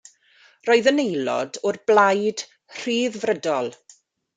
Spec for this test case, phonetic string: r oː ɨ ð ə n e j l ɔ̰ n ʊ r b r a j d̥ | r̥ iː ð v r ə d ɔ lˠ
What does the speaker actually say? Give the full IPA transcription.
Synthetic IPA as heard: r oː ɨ ð ə n e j l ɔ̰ d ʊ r b l a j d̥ | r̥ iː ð v r ə d ɔ lˠ